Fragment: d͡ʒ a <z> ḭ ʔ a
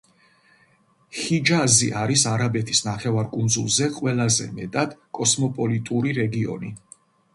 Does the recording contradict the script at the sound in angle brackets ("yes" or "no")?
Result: no